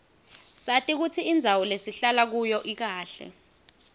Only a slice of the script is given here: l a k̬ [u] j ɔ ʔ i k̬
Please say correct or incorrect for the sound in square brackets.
correct